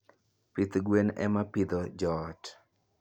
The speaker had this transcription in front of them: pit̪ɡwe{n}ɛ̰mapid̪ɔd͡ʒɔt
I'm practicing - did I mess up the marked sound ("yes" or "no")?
no